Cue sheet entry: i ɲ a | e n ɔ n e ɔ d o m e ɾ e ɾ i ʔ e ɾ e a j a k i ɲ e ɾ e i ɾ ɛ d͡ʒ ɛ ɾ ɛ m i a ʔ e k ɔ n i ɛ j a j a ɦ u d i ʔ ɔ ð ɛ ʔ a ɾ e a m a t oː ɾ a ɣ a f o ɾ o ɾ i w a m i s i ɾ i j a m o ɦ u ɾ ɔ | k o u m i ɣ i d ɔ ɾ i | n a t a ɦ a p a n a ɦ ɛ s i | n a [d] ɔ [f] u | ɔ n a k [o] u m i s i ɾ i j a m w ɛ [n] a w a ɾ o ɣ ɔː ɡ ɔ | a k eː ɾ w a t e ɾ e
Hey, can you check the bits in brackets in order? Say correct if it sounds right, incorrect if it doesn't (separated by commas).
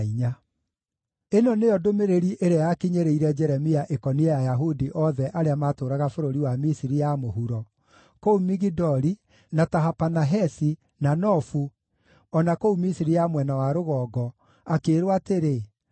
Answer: incorrect, correct, correct, correct